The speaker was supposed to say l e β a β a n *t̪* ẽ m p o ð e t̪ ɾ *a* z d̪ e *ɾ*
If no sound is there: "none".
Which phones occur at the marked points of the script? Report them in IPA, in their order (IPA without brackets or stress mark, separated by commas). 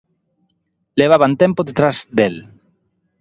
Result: t̪, a, l